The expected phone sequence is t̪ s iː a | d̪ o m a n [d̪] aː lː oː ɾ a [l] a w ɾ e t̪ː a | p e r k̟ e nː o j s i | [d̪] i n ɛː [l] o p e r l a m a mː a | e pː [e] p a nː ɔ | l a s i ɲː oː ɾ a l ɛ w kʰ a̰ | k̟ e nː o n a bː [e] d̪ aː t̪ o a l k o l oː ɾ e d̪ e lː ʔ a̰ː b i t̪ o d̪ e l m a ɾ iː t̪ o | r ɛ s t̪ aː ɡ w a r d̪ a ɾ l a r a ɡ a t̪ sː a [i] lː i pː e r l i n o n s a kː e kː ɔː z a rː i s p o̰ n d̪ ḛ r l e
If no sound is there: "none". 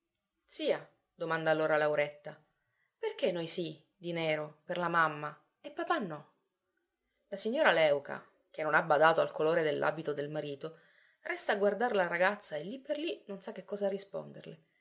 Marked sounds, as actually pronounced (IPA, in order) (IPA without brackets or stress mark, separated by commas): d̪, l, d̪, ɾ, a, a, e